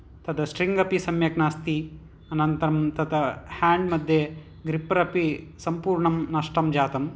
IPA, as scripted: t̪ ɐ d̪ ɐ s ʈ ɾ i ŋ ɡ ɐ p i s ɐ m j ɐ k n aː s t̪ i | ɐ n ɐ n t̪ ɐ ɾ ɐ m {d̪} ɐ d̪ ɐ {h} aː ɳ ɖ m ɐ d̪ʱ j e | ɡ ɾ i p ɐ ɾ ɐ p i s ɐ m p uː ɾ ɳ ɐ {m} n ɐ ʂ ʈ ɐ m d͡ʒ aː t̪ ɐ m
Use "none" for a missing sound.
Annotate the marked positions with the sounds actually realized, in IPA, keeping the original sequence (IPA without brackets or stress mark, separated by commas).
t̪, h, m